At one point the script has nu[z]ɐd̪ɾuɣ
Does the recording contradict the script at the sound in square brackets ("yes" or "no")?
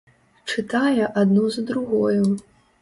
no